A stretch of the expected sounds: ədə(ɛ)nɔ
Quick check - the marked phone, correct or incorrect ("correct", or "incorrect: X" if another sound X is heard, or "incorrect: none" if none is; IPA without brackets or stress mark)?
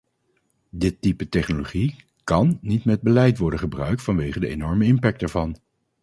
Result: incorrect: e